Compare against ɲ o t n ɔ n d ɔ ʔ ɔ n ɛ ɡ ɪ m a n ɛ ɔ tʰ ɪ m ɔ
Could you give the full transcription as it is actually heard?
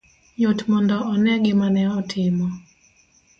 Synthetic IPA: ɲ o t m ɔ n d ɔ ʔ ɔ n ɛ ɡ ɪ m a n ɛ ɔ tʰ ɪ m ɔ